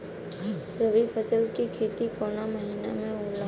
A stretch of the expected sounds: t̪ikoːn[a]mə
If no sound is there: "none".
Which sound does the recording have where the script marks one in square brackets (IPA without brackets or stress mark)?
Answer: a